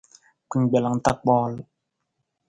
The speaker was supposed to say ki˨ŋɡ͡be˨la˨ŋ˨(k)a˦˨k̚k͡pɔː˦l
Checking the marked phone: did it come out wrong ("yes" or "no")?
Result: yes